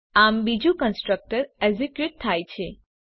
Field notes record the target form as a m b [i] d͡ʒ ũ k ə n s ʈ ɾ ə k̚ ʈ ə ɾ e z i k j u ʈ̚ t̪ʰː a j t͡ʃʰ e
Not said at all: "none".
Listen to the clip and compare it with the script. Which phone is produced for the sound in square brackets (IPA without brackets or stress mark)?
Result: i